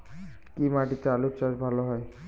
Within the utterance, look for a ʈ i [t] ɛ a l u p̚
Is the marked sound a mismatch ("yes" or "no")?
no